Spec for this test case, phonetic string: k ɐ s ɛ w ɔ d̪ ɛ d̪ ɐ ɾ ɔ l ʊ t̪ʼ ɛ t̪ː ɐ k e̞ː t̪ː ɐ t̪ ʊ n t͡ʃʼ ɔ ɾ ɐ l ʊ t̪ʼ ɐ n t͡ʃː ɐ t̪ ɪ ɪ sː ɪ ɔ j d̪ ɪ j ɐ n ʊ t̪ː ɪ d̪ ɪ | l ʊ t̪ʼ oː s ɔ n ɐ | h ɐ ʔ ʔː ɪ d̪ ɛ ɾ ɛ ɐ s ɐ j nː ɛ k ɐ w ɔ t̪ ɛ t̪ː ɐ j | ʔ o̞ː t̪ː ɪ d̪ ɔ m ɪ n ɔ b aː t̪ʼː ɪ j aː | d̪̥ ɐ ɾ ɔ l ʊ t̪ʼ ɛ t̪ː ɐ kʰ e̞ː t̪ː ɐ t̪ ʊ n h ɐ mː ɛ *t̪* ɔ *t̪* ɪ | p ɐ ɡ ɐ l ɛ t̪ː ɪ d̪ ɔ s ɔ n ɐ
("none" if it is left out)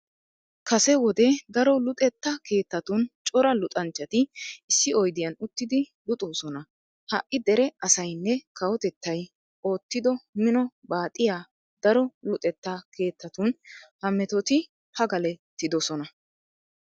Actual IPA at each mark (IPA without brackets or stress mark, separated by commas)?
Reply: t̪, t̪